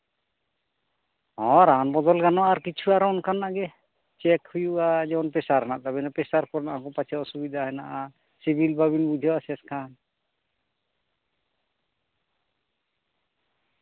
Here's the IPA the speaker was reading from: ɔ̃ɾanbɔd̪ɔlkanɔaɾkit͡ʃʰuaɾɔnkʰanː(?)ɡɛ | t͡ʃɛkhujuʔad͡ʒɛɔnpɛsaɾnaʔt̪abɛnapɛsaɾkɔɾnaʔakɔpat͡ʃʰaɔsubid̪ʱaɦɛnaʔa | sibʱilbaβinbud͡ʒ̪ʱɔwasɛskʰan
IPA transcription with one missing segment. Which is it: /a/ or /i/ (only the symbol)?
a